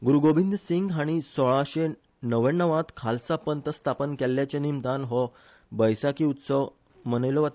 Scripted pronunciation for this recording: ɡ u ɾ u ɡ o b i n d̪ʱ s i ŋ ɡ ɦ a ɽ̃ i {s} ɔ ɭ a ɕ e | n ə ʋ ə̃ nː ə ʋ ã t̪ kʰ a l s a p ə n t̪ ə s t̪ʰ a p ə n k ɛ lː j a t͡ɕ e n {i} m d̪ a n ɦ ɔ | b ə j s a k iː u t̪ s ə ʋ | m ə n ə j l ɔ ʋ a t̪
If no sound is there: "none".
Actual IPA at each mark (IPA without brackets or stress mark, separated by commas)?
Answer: s, i